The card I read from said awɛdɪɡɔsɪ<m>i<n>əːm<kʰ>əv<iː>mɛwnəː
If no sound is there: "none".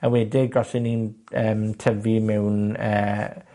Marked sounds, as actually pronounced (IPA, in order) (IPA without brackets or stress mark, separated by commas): n, n, tʰ, i